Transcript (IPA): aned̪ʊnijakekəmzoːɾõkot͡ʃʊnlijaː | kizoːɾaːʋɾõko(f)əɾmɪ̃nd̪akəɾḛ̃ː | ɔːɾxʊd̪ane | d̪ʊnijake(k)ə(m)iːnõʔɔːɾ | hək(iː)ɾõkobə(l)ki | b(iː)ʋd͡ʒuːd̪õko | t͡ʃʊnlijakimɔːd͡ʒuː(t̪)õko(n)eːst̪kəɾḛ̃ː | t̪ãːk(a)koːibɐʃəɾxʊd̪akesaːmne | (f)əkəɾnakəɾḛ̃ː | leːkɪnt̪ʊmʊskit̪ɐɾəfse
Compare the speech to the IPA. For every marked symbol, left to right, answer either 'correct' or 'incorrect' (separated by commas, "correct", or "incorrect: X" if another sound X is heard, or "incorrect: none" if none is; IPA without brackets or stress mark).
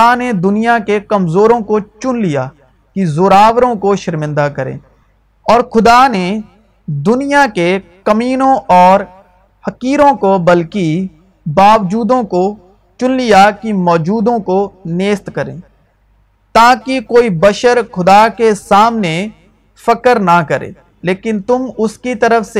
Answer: incorrect: ʃ, correct, correct, correct, correct, incorrect: aː, incorrect: d̪, correct, incorrect: i, correct